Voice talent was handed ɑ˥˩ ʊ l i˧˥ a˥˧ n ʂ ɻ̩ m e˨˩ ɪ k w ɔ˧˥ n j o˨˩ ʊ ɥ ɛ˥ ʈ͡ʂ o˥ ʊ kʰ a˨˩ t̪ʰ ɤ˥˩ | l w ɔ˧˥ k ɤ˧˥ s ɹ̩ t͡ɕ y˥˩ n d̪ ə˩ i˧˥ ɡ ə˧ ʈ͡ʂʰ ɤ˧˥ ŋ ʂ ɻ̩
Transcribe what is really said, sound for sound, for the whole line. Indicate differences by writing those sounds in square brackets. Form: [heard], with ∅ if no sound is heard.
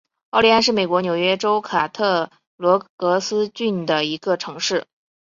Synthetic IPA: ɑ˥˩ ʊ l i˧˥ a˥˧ n ʂ ɻ̩ m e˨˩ ɪ k w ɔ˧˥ n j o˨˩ ʊ ɥ ɛ˥ ʈ͡ʂ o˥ ʊ kʰ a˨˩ t̪ʰ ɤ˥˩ | l w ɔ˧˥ k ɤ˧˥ s ɹ̩ t͡ɕ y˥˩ n d̪ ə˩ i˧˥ ɡ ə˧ ʈ͡ʂʰ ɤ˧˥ ŋ ʂ ɻ̩